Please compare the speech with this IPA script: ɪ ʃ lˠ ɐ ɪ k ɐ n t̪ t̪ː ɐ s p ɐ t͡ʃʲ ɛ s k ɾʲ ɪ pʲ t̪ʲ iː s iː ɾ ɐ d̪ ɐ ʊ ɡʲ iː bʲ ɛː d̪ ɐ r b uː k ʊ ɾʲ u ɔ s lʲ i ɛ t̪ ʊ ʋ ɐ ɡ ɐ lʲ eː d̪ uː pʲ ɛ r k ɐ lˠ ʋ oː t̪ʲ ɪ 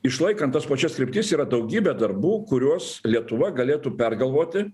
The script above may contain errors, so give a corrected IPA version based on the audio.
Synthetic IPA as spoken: ɪ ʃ lˠ ɐ ɪ k ɐ n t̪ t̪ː ɐ s p ɐ t͡ʃʲ ɛ s k ɾʲ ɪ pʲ t̪ʲ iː s iː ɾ ɐ d̪ ɐ ʊ ɡʲ iː bʲ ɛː d̪ ɐ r b uː k ʊ ɾʲ u ɔ s lʲ i ɛ t̪ ʊ ʋ ɐ ɡ ɐ lʲ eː t̪ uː pʲ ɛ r ɡ ɐ lˠ ʋ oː t̪ʲ ɪ